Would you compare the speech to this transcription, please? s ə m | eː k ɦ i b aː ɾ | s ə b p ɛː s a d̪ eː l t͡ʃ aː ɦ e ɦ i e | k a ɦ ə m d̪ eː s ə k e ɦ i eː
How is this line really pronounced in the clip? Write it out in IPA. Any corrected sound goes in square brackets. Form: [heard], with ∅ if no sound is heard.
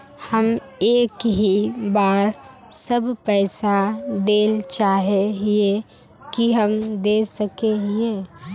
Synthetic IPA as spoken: [h] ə m | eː k ɦ i b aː ɾ | s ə b p ɛː s a d̪ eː l t͡ʃ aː ɦ e ɦ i e | k [i] ɦ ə m d̪ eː s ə k e ɦ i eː